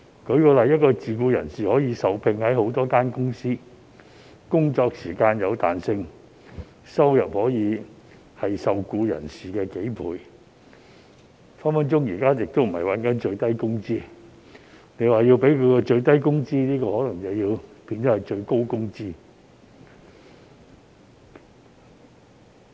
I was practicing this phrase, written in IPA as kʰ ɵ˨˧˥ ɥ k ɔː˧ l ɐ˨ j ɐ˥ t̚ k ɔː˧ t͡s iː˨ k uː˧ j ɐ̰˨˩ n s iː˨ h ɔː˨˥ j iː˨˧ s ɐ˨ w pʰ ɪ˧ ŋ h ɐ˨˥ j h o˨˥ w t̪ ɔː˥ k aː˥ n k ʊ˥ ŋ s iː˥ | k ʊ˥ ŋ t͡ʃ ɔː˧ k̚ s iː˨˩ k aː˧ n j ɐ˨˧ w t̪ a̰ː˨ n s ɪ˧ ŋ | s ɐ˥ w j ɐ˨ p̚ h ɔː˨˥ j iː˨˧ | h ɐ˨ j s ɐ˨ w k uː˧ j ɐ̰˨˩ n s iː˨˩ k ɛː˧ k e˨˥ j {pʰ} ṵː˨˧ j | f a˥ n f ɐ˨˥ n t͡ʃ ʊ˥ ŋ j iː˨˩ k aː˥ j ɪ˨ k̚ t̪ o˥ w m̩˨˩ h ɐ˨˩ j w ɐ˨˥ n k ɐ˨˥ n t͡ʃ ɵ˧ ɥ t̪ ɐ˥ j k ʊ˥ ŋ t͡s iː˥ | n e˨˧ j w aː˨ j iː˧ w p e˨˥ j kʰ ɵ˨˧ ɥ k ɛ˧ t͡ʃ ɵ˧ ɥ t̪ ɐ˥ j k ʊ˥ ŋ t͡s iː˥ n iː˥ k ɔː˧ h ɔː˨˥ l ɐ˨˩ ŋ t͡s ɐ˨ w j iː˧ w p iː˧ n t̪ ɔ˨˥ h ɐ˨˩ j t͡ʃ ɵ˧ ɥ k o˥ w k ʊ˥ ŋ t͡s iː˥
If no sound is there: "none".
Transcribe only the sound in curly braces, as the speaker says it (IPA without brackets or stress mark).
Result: pʰ